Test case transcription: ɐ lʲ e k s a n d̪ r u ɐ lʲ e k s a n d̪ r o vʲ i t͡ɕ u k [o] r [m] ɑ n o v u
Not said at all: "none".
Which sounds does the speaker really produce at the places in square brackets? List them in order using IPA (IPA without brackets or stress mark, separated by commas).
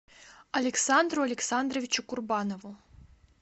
u, b